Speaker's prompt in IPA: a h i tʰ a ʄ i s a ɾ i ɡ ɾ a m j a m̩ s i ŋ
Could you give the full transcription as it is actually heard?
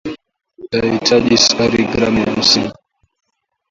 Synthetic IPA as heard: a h i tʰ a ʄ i s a ɾ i ɡ ɾ a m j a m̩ s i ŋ